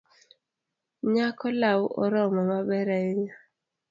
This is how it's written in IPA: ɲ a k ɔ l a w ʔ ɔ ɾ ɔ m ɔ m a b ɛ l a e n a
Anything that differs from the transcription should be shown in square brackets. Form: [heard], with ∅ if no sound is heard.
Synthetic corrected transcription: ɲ a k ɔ l a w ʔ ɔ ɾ ɔ m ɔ m a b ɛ [ɾ] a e [ɲ] a